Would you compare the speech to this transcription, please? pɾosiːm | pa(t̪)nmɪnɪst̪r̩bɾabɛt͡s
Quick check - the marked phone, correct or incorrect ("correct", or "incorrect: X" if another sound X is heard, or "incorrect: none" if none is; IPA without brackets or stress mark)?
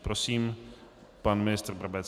incorrect: none